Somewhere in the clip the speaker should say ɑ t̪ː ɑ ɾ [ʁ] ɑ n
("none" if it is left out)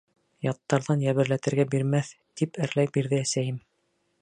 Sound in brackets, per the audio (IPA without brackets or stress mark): ð